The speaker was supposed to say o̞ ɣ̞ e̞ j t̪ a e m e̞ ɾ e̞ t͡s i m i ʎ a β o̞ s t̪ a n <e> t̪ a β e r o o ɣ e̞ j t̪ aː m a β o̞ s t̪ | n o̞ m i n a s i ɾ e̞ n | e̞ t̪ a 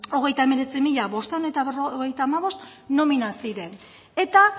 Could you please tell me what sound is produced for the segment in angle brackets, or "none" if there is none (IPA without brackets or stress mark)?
e